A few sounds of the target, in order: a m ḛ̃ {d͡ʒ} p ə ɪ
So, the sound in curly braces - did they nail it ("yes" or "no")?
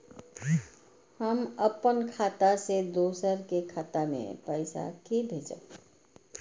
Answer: no